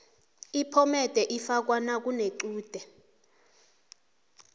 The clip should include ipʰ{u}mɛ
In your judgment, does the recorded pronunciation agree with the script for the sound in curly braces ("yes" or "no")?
no